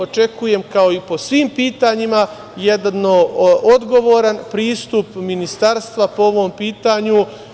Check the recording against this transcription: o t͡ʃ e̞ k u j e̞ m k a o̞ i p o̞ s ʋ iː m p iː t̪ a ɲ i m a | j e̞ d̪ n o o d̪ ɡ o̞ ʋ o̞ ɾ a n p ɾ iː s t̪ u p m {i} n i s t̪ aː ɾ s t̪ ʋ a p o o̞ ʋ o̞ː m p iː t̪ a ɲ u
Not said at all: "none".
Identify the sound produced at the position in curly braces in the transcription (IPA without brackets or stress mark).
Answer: i